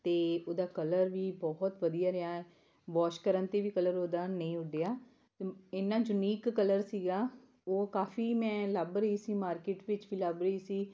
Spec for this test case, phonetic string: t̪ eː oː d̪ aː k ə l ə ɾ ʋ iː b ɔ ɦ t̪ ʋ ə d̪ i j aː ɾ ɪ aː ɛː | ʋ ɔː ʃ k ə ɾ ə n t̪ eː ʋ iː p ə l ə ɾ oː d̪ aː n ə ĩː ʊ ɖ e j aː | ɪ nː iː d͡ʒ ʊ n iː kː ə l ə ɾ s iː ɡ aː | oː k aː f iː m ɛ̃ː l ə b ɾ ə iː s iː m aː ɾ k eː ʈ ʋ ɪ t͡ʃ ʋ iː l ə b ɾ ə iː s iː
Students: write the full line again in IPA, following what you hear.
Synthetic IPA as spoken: t̪ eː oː d̪ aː k ə l ə ɾ ʋ iː b ɔ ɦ t̪ ʋ ə d̪ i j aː ɾ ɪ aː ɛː | ʋ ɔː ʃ k ə ɾ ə n t̪ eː ʋ iː k ə l ə ɾ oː d̪ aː n ə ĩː ʊ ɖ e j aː | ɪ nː aː d͡ʒ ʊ n iː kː ə l ə ɾ s iː ɡ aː | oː k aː f iː m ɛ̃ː l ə b ɾ ə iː s iː m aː ɾ k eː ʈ ʋ ɪ t͡ʃ ʋ iː l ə b ɾ ə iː s iː